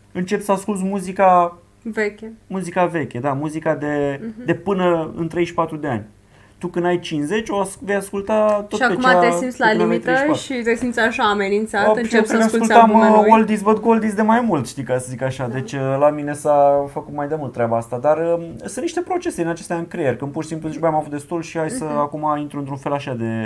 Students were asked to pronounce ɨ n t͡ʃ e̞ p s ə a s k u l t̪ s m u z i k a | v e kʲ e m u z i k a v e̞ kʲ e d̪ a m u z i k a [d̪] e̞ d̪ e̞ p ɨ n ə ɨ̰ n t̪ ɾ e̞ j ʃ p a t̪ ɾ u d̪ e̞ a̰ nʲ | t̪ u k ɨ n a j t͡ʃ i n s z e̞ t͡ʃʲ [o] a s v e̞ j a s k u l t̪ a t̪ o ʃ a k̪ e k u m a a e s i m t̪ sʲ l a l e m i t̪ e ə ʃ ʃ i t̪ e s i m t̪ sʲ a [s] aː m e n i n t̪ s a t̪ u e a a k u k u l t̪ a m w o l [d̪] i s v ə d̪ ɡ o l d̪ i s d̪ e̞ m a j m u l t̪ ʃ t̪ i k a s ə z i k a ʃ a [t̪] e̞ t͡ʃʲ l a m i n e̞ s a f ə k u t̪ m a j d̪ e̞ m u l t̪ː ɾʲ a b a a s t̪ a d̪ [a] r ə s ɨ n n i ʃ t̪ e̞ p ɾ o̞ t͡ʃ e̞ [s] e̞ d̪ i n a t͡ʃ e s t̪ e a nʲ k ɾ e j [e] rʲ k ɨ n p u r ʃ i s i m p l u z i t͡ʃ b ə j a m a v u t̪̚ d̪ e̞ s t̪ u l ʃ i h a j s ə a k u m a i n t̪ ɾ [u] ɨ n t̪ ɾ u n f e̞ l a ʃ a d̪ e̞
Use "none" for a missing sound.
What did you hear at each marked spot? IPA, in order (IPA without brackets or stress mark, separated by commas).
d̪, o, ʃ, d̪, d̪, a, s, e, u